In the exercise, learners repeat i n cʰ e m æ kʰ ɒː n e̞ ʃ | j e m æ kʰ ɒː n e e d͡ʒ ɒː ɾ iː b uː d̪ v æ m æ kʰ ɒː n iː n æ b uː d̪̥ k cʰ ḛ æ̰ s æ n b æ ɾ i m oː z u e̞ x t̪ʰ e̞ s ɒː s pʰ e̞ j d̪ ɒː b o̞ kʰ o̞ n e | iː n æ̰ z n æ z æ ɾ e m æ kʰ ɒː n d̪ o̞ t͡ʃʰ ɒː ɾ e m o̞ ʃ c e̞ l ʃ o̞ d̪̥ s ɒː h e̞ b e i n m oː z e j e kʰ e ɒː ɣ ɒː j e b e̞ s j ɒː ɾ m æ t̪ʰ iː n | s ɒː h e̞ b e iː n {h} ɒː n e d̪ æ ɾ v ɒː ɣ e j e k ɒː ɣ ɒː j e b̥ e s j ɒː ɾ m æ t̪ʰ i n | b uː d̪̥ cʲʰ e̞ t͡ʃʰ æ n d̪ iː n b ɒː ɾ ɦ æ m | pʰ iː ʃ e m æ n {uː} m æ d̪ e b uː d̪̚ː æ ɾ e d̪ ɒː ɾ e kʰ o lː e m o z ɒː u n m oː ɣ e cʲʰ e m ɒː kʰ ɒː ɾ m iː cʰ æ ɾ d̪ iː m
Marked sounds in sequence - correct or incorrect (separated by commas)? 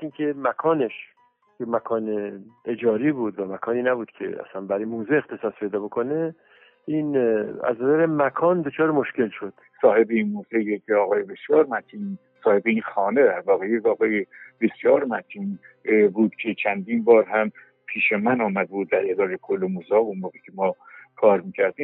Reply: incorrect, incorrect